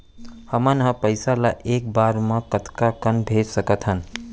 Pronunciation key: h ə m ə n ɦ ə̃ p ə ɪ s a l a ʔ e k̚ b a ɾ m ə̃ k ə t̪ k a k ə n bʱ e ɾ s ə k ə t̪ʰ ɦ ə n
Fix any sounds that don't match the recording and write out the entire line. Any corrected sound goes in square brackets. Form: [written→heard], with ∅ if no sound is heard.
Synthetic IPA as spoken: h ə m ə n ɦ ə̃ p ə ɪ s a l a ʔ e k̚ b a ɾ m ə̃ k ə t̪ k a k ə n bʱ e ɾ s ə k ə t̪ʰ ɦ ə n

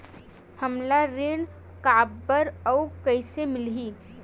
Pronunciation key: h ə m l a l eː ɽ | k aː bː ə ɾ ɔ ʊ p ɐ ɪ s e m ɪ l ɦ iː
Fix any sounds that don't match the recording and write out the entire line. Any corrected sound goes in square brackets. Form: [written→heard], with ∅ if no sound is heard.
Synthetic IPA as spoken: h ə m l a [l→ɾ] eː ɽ | k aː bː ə ɾ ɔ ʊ [p→k] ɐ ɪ s e m ɪ l ɦ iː

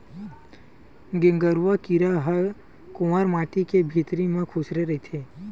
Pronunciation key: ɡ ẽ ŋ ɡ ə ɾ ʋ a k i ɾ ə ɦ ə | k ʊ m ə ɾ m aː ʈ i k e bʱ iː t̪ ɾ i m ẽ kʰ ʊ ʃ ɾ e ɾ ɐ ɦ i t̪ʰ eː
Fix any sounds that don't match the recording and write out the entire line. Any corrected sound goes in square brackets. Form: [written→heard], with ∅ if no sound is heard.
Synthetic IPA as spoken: ɡ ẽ ŋ ɡ ə ɾ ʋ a k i ɾ [ə→a] ɦ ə | k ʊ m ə ɾ m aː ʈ i k e bʱ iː t̪ ɾ i m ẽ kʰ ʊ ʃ ɾ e ɾ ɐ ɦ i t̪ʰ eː

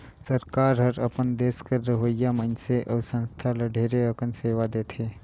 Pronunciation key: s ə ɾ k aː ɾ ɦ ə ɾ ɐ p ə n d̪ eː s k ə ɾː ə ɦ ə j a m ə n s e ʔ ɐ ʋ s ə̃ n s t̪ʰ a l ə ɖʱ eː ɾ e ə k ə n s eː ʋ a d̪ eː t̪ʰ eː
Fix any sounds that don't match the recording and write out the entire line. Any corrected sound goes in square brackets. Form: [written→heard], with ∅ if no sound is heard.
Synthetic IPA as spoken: s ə ɾ k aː ɾ ɦ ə ɾ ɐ p ə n d̪ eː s k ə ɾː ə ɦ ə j a m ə n s e ʔ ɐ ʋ s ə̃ n s t̪ʰ a l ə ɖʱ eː ɾ e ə k ə n s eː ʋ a d̪ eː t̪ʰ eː

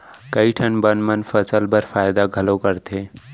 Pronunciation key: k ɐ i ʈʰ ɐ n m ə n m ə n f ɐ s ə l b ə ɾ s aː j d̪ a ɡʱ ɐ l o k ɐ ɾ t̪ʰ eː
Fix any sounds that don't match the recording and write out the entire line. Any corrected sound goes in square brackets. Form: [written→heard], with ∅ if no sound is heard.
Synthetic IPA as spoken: k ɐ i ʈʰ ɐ n [m→b] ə n m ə n f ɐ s ə l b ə ɾ [s→f] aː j d̪ a ɡʱ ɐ l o k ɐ ɾ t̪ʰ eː

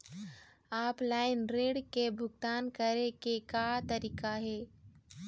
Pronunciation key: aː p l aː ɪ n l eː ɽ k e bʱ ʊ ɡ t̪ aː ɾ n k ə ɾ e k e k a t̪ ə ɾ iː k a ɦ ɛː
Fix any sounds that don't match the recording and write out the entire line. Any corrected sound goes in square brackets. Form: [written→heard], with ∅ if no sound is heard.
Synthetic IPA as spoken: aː p l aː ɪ n [l→ɾ] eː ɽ k e bʱ ʊ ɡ t̪ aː [ɾ→∅] n k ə ɾ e k e k a t̪ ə ɾ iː k a ɦ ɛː

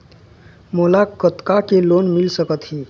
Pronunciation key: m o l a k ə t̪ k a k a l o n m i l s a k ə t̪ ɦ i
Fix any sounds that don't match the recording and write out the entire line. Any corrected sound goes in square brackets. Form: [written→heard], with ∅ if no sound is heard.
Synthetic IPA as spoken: m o l a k ə t̪ k a k [a→e] l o n m i l s [a→ə] k ə t̪ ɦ i

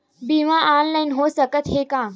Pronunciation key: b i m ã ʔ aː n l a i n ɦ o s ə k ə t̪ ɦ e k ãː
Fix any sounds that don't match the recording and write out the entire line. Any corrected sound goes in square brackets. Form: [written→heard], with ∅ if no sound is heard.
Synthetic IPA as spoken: b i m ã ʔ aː n l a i n ɦ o s ə k ə t̪ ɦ e k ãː

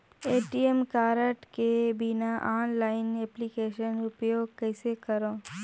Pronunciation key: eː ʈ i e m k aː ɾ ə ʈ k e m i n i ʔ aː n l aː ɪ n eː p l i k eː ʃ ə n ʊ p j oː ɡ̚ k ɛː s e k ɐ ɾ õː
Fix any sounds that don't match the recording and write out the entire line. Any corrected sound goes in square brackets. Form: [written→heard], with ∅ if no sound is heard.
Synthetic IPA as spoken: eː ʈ i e m k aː ɾ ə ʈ k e [m→b] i n [i→a] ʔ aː n l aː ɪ n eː p l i k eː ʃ ə n ʊ p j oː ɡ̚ k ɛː s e k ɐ ɾ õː

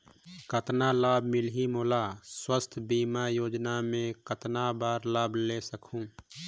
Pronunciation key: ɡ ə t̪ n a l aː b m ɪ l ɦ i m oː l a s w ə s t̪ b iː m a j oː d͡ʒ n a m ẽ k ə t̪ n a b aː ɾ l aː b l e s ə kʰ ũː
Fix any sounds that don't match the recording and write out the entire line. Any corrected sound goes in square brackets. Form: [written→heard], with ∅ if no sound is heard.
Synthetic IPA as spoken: [ɡ→k] ə t̪ n a l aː b m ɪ l ɦ i m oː l a s w ə s [t̪→t̪ʰ] b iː m a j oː d͡ʒ n a m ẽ k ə t̪ n a b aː ɾ l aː b l e s ə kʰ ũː

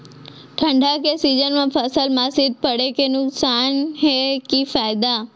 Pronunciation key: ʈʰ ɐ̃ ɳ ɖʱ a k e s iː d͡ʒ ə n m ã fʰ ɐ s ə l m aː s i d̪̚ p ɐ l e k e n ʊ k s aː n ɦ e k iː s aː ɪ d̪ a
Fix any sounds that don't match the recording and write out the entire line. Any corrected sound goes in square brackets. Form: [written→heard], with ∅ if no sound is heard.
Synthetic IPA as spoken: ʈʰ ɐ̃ ɳ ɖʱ a k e s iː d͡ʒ ə n m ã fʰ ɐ s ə l m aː s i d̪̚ p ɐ [l→ɽ] e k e n ʊ k s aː n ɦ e k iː [s→f] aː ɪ d̪ a

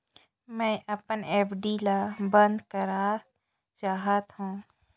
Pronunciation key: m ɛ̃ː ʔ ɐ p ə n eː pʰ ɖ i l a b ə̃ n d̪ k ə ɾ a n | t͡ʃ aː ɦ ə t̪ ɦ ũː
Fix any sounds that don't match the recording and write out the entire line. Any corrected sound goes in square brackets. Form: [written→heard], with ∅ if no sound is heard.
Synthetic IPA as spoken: m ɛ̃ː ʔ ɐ p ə n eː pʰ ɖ i l a b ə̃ n d̪ k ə ɾ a [n→∅] | t͡ʃ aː ɦ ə t̪ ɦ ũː

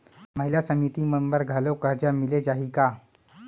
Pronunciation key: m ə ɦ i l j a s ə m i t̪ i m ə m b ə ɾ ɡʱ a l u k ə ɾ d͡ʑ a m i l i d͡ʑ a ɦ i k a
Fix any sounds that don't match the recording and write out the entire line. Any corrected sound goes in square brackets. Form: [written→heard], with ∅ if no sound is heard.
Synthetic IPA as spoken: m ə ɦ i l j a s ə m i t̪ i m ə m b ə ɾ ɡʱ a l [u→o] k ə ɾ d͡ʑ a m i l [i→e] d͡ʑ a ɦ i k a

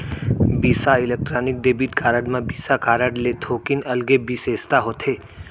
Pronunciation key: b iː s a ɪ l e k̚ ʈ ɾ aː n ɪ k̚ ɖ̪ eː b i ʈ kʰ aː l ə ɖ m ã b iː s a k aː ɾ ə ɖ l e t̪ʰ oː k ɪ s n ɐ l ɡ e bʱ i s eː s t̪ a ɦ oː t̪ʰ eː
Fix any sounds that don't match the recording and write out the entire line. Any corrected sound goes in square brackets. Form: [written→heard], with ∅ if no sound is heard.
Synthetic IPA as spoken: b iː s a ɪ l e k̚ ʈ ɾ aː n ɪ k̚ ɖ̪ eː b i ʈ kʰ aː [l→ɾ] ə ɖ m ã b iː s a k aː ɾ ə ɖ l e t̪ʰ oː k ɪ [s→∅] n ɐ l ɡ e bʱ i s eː s t̪ a ɦ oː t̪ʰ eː

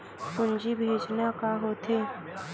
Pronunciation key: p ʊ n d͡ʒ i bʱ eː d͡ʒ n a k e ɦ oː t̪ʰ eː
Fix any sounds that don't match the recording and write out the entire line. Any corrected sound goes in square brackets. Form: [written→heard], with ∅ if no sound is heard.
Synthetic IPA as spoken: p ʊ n d͡ʒ i bʱ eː d͡ʒ n a k [e→a] ɦ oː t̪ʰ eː

